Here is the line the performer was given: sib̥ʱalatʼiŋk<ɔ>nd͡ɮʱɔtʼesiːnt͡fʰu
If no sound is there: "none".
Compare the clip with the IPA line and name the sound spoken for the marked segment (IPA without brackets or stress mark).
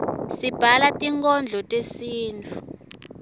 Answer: ɔ